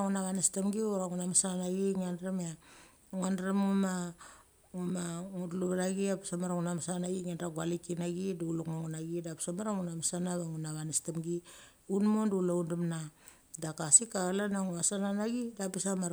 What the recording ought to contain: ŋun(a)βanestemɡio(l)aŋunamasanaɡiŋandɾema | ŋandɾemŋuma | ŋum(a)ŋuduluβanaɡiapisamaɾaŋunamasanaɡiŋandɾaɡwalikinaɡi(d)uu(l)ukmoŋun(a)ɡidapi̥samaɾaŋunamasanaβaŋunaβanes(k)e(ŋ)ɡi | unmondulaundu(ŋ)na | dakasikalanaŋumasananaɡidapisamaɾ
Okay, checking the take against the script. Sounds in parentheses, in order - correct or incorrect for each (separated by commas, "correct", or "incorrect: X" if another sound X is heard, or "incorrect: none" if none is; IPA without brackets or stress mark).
correct, incorrect: ɾ, correct, correct, correct, correct, incorrect: t, incorrect: m, incorrect: m